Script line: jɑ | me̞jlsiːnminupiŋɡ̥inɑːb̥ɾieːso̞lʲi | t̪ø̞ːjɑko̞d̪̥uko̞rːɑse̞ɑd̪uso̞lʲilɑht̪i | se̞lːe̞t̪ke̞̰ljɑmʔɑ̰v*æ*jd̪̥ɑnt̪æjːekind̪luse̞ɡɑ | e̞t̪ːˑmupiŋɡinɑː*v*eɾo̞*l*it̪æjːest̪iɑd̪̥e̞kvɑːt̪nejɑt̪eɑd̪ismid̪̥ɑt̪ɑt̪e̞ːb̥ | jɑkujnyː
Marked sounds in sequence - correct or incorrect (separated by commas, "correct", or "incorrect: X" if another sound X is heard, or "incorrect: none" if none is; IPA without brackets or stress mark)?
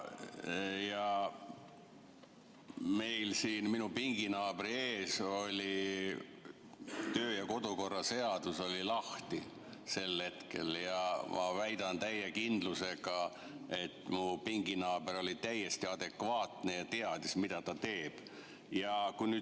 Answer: correct, incorrect: b, correct